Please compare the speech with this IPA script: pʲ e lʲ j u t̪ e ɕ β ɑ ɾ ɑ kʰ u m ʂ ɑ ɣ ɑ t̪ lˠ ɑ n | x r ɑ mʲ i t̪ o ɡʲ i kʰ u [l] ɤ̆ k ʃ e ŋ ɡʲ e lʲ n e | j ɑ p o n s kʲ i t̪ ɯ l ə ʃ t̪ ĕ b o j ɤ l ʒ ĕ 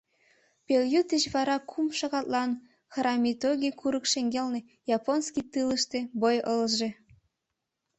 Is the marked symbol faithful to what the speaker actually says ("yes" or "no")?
no